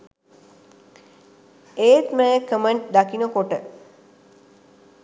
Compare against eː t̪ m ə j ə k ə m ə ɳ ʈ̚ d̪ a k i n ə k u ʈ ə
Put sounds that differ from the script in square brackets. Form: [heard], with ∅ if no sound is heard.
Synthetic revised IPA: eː t̪ m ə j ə k ə m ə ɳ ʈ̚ d̪ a k i n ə k [o] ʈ ə